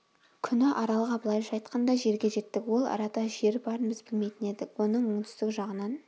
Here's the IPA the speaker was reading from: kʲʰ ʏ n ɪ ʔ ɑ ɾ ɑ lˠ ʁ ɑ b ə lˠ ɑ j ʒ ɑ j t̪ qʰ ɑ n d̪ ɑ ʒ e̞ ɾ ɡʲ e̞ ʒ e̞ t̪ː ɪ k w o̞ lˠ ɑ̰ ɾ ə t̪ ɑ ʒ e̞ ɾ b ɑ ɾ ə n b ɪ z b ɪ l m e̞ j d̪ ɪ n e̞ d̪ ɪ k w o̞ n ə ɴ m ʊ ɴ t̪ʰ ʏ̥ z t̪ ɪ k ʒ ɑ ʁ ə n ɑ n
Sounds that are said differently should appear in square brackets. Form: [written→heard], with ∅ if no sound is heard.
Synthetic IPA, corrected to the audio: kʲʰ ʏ n ɪ ʔ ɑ ɾ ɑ lˠ ʁ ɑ b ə lˠ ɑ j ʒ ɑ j t̪ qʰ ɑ n d̪ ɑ ʒ e̞ ɾ ɡʲ e̞ ʒ e̞ t̪ː ɪ k w o̞ lˠ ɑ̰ ɾ [ə→ɑ] t̪ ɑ ʒ e̞ ɾ b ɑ ɾ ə n b ɪ z b ɪ l m e̞ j [d̪→t̪] ɪ n e̞ d̪ ɪ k w o̞ n ə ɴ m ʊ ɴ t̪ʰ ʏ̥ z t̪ ɪ k ʒ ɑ ʁ ə n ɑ n

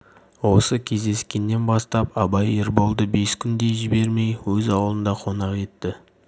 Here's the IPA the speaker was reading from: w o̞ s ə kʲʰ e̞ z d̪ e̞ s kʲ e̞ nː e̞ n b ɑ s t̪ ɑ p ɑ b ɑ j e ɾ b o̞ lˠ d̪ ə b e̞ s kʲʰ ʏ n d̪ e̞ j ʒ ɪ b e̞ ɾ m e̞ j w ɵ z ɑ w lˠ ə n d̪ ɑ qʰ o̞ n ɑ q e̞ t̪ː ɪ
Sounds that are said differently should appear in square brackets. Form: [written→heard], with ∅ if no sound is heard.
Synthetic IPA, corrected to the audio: w o̞ s ə kʲʰ e̞ z d̪ e̞ s kʲ e̞ nː e̞ n b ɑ s t̪ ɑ p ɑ b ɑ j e ɾ b o̞ lˠ d̪ ə b e̞ s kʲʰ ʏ n d̪ e̞ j ʒ ɪ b e̞ ɾ m e̞ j w ɵ z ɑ w lˠ ə n d̪ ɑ qʰ o̞ n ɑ q e̞ t̪ː ɪ

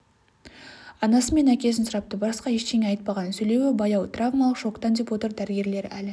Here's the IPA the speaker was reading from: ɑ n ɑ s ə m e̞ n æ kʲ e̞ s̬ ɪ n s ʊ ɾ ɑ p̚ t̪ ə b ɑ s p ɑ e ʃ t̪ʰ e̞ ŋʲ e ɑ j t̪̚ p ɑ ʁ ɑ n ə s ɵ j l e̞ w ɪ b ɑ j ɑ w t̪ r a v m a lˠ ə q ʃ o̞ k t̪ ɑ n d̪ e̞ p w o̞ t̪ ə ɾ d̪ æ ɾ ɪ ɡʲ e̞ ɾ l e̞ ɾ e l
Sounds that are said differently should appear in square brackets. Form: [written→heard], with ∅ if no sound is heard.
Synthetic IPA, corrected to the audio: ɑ n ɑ s ə m e̞ n æ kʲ e̞ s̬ ɪ n s ʊ ɾ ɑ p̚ t̪ ə b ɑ s [p→q] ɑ e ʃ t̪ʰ e̞ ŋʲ e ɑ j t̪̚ p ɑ ʁ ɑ n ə s ɵ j l e̞ w ɪ b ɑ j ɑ w t̪ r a v m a lˠ ə q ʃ o̞ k t̪ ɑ n d̪ e̞ p w o̞ t̪ ə ɾ d̪ æ ɾ ɪ ɡʲ e̞ ɾ l e̞ ɾ [e→æ] l

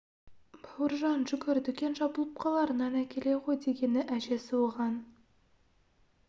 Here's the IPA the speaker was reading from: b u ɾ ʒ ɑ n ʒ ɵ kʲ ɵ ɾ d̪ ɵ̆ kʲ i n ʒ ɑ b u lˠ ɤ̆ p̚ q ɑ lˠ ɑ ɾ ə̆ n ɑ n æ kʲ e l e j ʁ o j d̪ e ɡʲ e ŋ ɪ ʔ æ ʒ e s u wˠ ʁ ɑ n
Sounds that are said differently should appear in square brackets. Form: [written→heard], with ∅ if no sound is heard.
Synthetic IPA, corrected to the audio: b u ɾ ʒ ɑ n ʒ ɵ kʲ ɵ ɾ d̪ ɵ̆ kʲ [i→e] n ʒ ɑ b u lˠ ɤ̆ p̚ q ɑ lˠ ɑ ɾ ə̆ n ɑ n æ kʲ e l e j ʁ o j d̪ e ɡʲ e [ŋ→n] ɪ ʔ æ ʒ e s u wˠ ʁ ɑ n

